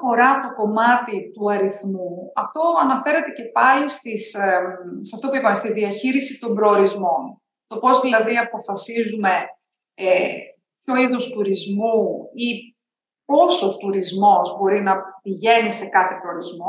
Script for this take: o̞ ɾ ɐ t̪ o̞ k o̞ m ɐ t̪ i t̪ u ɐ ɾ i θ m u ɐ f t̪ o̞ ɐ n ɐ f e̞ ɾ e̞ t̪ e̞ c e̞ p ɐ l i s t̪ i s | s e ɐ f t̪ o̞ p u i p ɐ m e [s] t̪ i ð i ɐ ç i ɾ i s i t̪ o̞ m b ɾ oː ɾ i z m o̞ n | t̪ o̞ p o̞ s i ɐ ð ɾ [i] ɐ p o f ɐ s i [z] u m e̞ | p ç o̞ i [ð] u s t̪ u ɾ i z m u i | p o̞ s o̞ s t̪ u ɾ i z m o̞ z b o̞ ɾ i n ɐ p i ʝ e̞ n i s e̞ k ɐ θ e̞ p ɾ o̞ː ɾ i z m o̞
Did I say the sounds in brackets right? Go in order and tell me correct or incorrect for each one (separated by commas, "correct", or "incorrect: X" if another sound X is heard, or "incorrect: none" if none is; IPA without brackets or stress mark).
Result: correct, correct, correct, correct